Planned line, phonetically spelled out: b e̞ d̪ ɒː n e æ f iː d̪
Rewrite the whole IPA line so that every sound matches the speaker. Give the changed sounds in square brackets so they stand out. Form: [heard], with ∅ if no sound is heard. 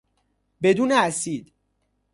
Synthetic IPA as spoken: b e̞ d̪ [uː] n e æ [s] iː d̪